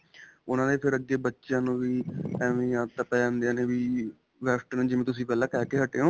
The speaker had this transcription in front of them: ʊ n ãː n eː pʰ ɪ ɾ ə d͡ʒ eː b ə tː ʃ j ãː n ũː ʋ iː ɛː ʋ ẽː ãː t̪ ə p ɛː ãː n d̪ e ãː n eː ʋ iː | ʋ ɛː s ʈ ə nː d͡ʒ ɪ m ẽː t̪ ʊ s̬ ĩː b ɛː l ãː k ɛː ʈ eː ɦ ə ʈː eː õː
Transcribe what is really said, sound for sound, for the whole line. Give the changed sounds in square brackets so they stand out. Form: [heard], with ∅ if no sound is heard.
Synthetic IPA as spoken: ʊ n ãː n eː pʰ ɪ ɾ ə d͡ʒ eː b ə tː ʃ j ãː n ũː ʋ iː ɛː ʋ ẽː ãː t̪ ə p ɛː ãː n d̪ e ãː n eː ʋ iː | ʋ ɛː s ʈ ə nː d͡ʒ ɪ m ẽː t̪ ʊ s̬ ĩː [p] ɛː l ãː k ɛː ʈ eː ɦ ə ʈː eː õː